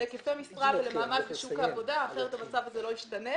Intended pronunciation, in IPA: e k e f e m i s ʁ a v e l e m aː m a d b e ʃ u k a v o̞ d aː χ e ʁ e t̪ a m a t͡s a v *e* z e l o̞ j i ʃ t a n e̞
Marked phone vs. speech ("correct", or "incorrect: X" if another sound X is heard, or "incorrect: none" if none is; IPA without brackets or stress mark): incorrect: a